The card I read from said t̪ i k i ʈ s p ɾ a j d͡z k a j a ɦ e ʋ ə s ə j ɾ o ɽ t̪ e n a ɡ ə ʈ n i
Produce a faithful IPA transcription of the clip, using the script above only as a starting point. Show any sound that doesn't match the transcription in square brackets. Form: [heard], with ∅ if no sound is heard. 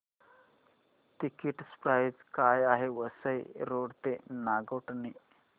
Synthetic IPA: t̪ i k i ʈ s p ɾ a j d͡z k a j a ɦ e ʋ ə s ə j ɾ o ɽ t̪ e n a ɡ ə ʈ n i